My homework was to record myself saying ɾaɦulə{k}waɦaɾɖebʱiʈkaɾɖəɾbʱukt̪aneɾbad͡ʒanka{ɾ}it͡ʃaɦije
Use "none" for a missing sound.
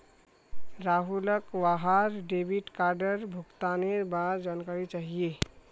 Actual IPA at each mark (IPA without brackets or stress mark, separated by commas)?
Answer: k, ɾ